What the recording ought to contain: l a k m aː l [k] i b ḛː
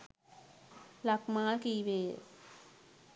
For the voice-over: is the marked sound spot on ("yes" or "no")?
yes